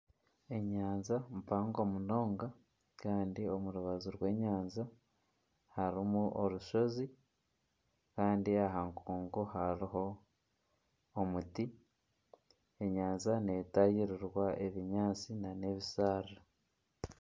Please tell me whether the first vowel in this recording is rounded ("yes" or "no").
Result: no